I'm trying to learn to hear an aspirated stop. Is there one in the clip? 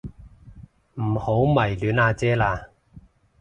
no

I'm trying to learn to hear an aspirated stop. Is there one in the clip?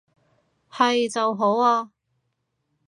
no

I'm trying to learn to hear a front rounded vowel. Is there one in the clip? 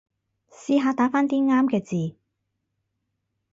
no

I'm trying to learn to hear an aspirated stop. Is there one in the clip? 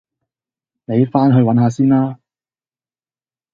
no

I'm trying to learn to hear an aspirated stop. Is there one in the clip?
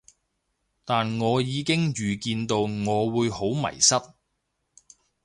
no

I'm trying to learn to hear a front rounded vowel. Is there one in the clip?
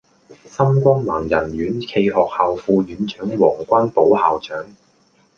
yes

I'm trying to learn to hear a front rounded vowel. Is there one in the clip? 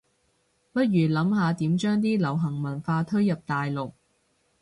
yes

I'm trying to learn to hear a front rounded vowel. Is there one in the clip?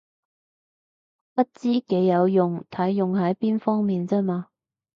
no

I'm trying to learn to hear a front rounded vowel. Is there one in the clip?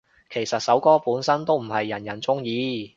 no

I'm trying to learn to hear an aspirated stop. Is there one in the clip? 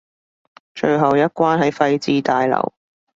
no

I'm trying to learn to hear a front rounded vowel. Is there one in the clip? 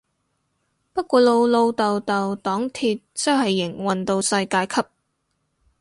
no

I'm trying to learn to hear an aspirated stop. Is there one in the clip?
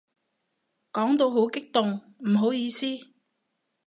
no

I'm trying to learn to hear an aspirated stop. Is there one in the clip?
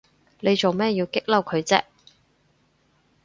yes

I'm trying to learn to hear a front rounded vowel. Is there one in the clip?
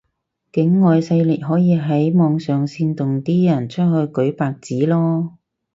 yes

